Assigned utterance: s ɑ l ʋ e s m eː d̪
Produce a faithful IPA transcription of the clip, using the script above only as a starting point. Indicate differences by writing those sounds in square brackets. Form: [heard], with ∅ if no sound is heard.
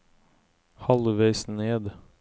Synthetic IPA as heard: [h] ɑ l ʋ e s [n] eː d̪